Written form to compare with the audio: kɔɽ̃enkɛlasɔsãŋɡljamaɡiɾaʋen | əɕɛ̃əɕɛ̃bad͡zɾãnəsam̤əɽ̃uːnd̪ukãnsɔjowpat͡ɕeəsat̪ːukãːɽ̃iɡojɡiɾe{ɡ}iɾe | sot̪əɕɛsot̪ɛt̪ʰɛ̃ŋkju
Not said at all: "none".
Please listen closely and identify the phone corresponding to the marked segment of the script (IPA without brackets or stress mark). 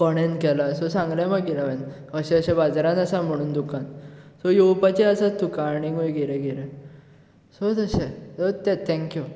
ɡ